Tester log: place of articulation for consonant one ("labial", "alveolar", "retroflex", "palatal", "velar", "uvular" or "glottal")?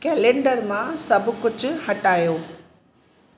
velar